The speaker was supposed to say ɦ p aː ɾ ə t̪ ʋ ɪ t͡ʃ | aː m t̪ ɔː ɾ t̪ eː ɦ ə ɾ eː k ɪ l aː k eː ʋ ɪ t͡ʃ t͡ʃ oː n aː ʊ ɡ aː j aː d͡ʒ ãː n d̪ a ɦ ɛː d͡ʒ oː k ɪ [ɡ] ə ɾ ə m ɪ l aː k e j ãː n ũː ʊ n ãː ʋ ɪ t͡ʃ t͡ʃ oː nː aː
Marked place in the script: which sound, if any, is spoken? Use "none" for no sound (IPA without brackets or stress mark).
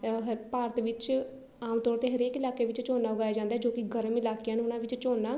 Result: ɡ